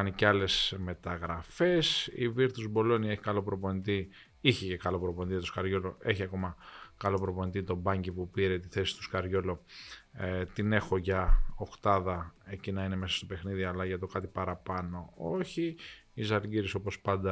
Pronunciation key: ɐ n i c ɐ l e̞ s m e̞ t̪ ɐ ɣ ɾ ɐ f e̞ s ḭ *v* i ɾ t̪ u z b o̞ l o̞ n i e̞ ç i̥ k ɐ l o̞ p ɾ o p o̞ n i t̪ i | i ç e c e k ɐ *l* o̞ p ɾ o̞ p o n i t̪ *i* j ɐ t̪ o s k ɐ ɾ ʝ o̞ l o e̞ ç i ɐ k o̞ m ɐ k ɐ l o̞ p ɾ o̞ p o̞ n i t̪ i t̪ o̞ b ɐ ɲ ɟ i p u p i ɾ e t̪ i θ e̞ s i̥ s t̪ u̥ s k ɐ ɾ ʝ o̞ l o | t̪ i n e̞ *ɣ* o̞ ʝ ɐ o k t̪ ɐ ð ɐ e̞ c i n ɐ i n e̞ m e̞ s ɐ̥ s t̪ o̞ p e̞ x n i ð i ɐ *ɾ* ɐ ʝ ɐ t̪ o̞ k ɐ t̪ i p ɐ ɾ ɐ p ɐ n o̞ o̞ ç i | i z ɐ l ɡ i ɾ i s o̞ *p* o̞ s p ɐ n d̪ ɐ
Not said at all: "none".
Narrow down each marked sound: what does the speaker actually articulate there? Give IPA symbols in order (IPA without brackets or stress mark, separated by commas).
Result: v, l, i, x, l, p